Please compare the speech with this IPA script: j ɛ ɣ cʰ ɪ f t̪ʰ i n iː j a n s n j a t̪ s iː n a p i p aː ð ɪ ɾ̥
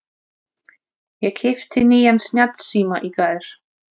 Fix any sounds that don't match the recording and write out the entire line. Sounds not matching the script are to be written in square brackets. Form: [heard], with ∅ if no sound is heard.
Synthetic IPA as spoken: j ɛ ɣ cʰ ɪ f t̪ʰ [ɪ] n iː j a n s n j a t̪ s iː [m] a [ʔ] i [k] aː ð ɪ ɾ̥